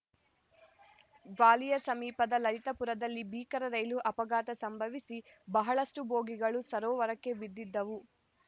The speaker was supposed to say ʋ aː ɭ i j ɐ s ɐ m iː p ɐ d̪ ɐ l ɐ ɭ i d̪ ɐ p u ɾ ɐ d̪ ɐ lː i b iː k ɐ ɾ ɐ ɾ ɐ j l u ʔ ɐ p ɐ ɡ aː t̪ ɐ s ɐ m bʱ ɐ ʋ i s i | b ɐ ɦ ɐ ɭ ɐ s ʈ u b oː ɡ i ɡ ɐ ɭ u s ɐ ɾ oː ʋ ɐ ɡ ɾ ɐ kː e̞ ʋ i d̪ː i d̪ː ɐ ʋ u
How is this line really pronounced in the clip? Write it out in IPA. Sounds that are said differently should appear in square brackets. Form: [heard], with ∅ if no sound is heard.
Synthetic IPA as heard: ʋ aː [l] i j ɐ s ɐ m iː p ɐ d̪ ɐ l ɐ [ɾ] i [t̪] ɐ p u ɾ ɐ d̪ ɐ lː i b iː k ɐ ɾ ɐ ɾ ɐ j l u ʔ ɐ p ɐ ɡ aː t̪ ɐ s ɐ m bʱ ɐ ʋ i s i | b ɐ ɦ ɐ ɭ ɐ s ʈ u b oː ɡ i ɡ ɐ ɭ u s ɐ ɾ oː ʋ ɐ [∅] ɾ ɐ kː e̞ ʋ i d̪ː i d̪ː ɐ ʋ u